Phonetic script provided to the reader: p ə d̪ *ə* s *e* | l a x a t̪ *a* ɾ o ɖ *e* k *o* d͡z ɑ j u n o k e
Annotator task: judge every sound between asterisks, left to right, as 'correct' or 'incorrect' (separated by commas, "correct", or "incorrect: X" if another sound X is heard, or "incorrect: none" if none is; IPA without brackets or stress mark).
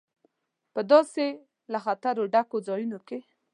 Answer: incorrect: ɑ, correct, correct, incorrect: a, correct